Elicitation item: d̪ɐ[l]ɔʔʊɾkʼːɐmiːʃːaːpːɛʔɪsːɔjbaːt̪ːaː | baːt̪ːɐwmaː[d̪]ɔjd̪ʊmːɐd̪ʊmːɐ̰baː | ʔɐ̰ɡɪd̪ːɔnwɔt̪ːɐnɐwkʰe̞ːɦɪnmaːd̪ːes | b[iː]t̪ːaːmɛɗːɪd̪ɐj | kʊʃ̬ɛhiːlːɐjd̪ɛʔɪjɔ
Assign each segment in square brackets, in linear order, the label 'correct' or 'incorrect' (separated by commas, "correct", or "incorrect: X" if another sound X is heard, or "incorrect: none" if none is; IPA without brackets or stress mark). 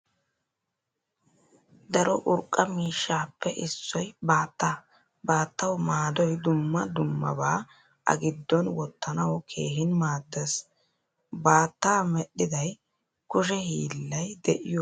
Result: incorrect: ɾ, correct, incorrect: aː